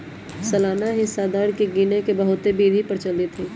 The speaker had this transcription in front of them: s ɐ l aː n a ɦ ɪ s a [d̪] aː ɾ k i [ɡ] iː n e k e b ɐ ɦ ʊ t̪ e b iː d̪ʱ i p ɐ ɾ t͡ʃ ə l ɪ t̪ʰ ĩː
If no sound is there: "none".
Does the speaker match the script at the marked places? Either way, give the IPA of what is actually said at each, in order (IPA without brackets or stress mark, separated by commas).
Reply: d̪, ɡ